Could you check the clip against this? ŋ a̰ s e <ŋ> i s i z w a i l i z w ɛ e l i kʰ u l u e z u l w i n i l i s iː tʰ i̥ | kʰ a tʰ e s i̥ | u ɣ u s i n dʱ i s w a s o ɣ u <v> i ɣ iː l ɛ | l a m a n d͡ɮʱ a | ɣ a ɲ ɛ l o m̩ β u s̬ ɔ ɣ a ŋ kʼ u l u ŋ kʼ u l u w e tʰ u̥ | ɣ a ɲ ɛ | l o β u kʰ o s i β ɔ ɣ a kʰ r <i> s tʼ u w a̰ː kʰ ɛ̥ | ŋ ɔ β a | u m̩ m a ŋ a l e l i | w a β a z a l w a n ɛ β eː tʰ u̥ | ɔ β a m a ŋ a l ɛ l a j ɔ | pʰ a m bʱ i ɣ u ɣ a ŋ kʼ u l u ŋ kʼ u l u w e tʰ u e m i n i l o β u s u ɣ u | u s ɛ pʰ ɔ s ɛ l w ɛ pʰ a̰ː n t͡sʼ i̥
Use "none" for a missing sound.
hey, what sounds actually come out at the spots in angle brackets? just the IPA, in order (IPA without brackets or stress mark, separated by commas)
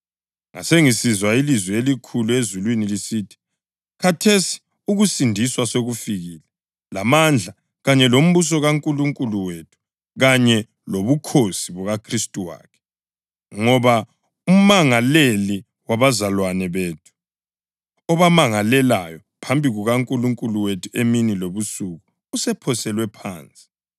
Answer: ŋ, f, i